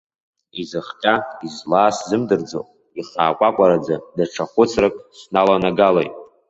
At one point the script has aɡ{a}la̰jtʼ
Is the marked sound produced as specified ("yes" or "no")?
yes